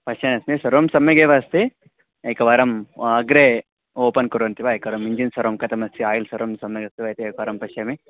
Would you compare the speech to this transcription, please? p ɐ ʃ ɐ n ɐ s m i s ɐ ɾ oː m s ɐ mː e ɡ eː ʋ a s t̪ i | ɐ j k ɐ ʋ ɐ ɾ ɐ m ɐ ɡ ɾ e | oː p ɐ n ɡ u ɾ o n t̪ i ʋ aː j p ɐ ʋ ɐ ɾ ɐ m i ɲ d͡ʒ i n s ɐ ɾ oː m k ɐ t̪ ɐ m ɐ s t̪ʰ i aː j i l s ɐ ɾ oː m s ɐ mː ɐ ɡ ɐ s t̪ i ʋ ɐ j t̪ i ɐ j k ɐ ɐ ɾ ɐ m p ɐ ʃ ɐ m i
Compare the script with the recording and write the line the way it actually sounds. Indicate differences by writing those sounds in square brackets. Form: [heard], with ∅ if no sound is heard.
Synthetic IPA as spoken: p ɐ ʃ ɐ n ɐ s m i s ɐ ɾ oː m s ɐ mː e ɡ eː ʋ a s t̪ i | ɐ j k ɐ ʋ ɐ ɾ ɐ m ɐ ɡ ɾ e | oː p ɐ n [k] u ɾ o n t̪ i ʋ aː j [k] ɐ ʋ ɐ ɾ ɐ m i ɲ d͡ʒ i n s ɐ ɾ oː m k ɐ t̪ ɐ m ɐ s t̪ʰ i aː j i l s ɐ ɾ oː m s ɐ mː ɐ ɡ ɐ s t̪ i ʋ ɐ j t̪ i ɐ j k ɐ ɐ ɾ ɐ m p ɐ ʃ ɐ m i